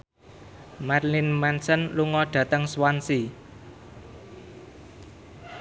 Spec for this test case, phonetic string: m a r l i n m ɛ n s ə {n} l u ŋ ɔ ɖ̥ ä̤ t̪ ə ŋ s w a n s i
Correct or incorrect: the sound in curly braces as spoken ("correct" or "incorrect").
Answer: correct